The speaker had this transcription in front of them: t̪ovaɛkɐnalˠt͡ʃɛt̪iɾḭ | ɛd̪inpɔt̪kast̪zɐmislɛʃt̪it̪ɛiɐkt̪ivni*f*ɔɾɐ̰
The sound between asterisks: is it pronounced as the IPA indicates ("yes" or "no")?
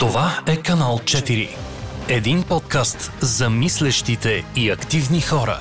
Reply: no